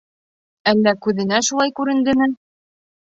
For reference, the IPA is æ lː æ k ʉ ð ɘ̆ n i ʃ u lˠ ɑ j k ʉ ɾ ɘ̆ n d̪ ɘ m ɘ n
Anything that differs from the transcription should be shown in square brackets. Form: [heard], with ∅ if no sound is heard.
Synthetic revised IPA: æ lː æ k ʉ ð ɘ̆ n [æ] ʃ u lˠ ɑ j k ʉ ɾ ɘ̆ n d̪ ɘ m ɘ n